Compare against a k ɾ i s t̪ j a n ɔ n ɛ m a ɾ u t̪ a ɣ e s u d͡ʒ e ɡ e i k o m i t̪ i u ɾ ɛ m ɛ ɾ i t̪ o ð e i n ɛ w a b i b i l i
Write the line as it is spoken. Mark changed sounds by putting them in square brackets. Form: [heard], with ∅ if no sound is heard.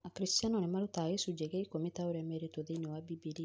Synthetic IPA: a k ɾ i s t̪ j a n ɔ n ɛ m a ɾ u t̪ a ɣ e s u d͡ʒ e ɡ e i k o m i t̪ [a] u ɾ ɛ m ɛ ɾ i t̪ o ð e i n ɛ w a b i b i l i